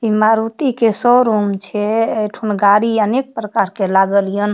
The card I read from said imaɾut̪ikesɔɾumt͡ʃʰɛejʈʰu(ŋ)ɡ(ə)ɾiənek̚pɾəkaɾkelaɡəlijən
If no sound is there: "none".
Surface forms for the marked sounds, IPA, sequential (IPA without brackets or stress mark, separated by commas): n, a